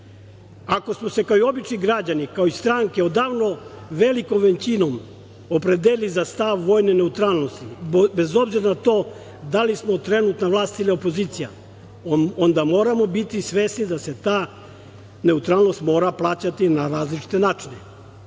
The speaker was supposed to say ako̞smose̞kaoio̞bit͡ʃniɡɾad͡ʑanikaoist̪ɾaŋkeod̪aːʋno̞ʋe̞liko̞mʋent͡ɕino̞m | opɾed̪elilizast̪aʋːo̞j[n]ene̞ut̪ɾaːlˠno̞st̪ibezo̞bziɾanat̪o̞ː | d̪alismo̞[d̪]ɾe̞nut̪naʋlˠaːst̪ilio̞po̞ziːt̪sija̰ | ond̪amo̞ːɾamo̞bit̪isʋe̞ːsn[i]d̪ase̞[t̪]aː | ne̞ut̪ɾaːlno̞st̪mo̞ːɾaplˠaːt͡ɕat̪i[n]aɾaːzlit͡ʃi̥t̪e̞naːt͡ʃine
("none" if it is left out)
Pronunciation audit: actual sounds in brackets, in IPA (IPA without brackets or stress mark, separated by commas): n, t̪, i, t̪, n